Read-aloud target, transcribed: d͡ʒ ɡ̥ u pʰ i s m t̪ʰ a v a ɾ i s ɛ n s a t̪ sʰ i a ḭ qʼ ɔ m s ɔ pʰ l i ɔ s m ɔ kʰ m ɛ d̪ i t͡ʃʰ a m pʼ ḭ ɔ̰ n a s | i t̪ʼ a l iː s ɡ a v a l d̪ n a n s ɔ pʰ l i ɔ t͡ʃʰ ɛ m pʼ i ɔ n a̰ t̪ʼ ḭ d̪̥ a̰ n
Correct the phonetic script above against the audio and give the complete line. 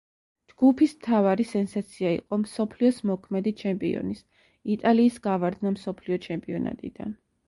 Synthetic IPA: d͡ʒ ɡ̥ u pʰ i s m t̪ʰ a v a ɾ i s ɛ n s a t̪ sʰ i a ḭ qʼ ɔ m s ɔ pʰ l i ɔ s m ɔ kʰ m ɛ d̪ i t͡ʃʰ ɛ m pʼ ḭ ɔ̰ n i s | i t̪ʼ a l iː s ɡ a v a ɾ d̪ n a m s ɔ pʰ l i ɔ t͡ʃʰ ɛ m pʼ i ɔ n a̰ t̪ʼ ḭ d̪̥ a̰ n